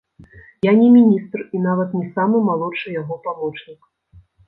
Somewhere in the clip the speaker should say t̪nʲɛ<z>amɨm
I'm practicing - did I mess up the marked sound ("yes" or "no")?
yes